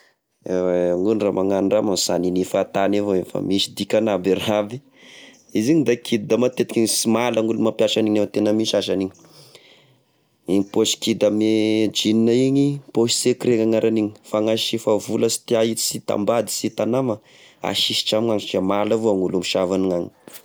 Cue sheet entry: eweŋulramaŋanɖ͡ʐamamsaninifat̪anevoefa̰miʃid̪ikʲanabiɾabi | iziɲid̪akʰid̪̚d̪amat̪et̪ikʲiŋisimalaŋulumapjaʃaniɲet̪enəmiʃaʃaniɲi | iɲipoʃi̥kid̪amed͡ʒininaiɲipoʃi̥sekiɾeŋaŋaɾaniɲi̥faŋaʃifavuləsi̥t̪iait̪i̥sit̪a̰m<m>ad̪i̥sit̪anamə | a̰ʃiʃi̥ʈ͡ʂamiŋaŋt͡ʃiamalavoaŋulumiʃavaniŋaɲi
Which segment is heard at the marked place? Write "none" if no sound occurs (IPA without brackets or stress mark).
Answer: b